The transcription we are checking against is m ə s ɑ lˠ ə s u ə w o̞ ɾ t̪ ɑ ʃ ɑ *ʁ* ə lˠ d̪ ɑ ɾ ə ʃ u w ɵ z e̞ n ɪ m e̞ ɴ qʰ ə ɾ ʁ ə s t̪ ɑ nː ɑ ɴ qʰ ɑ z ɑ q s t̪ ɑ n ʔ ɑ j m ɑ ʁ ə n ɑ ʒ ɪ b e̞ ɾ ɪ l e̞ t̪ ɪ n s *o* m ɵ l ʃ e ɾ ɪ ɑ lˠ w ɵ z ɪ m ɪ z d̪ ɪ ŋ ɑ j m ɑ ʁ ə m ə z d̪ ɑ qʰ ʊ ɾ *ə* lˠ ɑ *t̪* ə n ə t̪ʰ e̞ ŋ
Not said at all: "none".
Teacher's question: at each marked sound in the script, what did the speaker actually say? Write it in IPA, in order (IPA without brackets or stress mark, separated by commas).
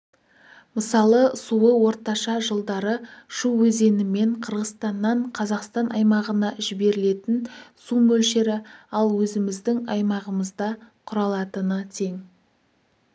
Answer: ʒ, u, ɑ, t̪